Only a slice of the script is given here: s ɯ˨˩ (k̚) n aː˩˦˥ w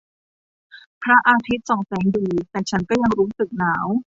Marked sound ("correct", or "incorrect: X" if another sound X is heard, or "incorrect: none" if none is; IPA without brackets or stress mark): correct